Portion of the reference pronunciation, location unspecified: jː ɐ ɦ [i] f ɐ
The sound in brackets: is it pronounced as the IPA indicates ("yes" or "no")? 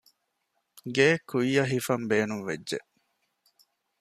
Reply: yes